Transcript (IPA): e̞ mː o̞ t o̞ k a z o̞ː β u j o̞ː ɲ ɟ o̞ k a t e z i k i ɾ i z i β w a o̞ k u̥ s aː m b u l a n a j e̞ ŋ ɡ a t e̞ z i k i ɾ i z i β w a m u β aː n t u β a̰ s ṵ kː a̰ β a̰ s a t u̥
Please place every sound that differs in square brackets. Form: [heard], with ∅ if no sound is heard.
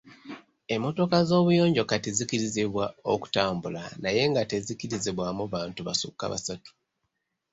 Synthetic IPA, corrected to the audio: e̞ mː o̞ t o̞ k a z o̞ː β u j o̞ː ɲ ɟ o̞ k a t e z i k i ɾ i z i β w a o̞ k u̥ [t] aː m b u l a n a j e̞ ŋ ɡ a t e̞ z i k i ɾ i z i β w a m u β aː n t u β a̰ s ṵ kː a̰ β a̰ s a t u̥